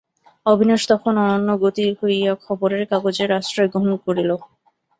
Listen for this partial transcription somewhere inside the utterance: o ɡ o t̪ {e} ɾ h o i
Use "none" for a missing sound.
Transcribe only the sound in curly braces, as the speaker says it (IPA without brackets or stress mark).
i